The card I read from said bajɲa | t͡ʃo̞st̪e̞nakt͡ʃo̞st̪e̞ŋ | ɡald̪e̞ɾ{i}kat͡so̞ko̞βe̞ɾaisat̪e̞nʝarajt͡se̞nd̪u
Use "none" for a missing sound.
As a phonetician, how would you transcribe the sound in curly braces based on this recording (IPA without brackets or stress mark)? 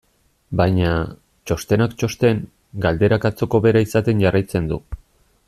a